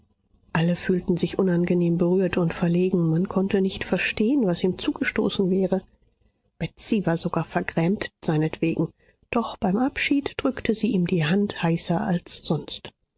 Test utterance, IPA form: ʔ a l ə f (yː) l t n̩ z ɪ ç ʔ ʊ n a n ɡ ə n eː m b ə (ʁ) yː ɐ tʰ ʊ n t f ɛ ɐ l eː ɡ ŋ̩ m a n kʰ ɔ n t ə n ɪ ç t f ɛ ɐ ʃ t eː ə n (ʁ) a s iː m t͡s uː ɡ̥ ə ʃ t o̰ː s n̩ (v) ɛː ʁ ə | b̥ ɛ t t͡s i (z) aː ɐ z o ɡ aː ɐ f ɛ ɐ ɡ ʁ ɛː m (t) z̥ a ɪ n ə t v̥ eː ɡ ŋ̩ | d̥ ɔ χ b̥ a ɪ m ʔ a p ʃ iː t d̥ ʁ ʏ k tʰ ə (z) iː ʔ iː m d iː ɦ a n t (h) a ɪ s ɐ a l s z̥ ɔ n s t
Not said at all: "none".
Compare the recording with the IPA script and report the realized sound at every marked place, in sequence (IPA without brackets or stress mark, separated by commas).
yː, ʁ, v, v, v, t, z, h